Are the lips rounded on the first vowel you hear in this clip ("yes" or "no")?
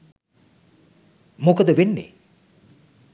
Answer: yes